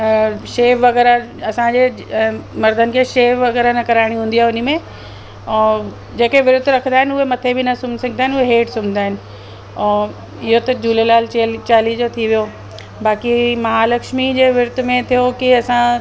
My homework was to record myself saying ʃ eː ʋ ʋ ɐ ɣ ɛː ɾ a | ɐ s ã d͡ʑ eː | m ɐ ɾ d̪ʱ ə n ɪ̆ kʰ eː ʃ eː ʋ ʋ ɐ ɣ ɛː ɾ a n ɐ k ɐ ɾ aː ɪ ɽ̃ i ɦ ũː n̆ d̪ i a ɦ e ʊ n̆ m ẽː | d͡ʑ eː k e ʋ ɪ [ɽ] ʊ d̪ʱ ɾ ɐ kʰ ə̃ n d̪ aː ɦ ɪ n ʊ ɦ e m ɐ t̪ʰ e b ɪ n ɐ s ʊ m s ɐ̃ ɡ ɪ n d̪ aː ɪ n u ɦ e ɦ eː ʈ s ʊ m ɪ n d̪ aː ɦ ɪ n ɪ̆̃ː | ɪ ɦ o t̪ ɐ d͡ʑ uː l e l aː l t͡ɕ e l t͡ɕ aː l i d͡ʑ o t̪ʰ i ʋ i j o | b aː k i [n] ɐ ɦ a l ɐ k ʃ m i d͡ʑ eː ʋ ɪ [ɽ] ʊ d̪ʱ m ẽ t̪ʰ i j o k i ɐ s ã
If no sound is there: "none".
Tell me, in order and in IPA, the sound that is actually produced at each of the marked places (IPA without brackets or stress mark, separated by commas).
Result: ɾ, m, ɾ